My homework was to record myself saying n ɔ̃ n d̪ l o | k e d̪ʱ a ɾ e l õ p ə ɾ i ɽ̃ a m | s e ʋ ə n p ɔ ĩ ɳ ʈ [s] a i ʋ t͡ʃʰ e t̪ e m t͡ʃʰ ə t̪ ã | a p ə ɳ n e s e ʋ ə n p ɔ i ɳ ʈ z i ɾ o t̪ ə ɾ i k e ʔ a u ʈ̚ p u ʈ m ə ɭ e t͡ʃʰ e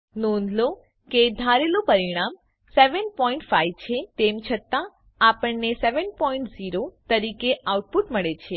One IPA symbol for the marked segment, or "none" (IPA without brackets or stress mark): f